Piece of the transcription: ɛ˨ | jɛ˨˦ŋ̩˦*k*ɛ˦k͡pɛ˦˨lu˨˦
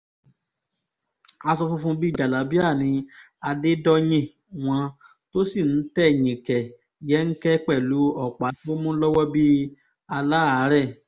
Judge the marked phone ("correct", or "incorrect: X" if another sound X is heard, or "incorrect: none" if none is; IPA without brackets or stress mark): correct